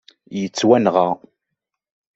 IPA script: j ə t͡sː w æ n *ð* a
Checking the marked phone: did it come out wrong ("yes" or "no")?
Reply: yes